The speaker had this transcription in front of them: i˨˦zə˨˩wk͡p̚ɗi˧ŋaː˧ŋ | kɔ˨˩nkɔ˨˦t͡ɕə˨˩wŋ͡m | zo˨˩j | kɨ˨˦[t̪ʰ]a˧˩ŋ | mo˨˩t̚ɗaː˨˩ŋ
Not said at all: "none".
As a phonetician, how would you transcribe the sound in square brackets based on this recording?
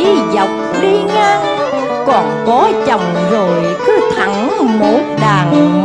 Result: t̪ʰ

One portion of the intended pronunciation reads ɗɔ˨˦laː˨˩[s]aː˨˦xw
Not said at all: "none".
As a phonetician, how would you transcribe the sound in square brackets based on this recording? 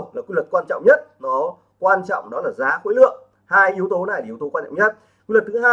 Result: z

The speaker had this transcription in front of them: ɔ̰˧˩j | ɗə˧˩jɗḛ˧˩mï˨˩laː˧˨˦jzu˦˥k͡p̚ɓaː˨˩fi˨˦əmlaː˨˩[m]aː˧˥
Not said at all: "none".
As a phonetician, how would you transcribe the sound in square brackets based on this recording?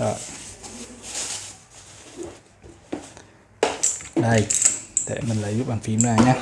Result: ɲ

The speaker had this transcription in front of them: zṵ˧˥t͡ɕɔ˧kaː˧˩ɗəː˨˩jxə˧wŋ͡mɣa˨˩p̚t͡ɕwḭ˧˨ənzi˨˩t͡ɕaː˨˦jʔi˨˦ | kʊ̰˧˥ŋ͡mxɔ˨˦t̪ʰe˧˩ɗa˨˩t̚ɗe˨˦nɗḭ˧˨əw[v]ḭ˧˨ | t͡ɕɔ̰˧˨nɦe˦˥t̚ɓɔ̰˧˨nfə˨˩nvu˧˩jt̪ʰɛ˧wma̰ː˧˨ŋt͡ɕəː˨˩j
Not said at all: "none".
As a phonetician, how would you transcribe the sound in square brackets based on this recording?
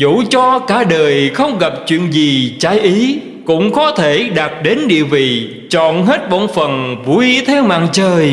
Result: v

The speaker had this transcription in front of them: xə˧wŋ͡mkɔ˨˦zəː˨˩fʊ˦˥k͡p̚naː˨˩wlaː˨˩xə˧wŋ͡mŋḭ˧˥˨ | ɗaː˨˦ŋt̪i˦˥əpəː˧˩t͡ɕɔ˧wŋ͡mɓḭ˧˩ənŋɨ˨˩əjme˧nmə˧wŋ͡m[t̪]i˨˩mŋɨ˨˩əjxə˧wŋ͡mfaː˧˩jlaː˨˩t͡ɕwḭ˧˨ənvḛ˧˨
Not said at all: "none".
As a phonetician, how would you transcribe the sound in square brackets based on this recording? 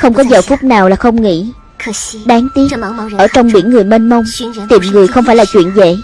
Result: t̪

